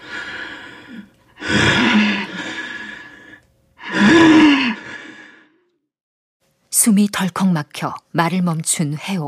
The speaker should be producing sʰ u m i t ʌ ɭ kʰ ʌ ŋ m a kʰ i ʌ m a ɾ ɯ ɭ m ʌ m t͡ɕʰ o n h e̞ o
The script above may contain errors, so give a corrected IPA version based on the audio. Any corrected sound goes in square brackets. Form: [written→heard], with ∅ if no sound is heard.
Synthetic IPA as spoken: sʰ u m i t ʌ ɭ kʰ ʌ ŋ m a kʰ [i→j] ʌ m a ɾ ɯ ɭ m ʌ m t͡ɕʰ [o→u] n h e̞ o